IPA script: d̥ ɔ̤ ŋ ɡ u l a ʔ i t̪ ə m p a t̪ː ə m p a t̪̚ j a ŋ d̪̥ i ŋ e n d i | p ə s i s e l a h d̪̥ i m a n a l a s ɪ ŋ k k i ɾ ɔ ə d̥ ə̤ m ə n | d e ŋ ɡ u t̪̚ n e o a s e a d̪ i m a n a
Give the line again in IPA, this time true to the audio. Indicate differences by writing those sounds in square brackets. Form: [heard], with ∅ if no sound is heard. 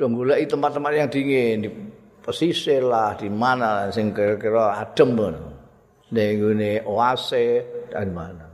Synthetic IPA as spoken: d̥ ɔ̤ ŋ ɡ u l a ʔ i t̪ ə m p a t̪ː ə m p a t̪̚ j a ŋ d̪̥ i ŋ e n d i | p ə s i s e l a h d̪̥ i m a n a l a s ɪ ŋ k k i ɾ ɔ [a] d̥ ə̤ m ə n | [n] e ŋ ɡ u [∅] n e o a s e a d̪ i m a n a